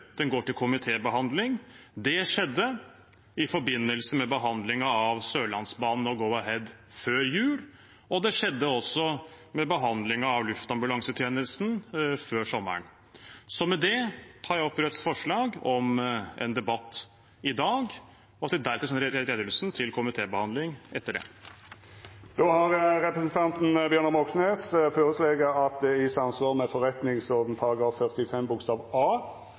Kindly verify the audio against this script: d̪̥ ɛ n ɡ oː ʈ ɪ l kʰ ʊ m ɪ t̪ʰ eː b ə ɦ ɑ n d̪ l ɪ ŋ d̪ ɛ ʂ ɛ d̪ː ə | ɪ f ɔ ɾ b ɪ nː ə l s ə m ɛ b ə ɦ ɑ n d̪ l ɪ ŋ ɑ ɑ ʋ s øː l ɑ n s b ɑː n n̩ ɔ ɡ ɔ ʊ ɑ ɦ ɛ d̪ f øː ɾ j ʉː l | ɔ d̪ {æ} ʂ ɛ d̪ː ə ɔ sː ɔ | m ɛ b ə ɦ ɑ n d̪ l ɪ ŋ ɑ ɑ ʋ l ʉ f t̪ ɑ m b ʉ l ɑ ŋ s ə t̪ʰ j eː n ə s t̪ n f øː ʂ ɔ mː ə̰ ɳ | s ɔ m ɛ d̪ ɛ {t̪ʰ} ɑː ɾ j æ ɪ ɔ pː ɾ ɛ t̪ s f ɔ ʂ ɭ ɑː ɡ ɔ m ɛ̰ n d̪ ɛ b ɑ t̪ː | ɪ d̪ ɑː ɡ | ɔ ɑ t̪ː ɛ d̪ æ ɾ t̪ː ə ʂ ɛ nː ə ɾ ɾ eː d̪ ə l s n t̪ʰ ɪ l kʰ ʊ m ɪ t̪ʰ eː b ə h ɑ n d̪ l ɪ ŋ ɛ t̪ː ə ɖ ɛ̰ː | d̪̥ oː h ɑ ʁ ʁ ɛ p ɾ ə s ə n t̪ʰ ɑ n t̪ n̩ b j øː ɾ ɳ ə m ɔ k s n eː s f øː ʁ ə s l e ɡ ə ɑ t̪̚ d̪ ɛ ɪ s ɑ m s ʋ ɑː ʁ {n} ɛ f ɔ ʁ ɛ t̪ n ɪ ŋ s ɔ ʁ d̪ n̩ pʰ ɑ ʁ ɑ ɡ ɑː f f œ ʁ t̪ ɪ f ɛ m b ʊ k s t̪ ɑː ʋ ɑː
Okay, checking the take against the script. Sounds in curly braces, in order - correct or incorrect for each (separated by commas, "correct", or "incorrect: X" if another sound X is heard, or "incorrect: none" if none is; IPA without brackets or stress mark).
incorrect: ɛ, correct, incorrect: m